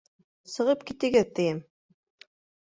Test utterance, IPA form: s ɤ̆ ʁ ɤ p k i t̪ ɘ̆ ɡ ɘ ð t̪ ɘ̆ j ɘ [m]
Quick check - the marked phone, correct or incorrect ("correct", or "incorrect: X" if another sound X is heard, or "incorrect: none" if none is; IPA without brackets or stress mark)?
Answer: correct